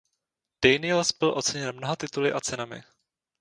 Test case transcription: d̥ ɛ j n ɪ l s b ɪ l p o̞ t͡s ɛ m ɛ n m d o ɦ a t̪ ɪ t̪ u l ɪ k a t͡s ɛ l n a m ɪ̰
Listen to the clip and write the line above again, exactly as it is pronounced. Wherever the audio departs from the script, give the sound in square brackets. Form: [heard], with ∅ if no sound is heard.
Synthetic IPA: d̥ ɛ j n ɪ l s b ɪ l [ʔ] o̞ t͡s ɛ [ɲ] ɛ n m [n] o ɦ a t̪ ɪ t̪ u l ɪ [ʔ] a t͡s ɛ [∅] n a m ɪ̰